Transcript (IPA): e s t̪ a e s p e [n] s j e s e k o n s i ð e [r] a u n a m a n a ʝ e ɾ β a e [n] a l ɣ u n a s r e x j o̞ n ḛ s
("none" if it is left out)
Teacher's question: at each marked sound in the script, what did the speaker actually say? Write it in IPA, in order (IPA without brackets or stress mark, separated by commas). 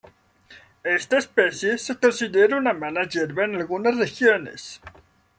none, ɾ, n